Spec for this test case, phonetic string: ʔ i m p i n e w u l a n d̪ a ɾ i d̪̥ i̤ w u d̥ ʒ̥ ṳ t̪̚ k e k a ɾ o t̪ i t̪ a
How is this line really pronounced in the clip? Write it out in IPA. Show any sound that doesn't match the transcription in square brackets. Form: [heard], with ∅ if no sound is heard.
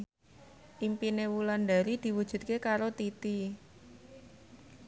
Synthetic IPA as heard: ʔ i m p i n e w u l a n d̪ a ɾ i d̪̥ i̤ w u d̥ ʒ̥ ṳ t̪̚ k e k a ɾ o t̪ i t̪ [i]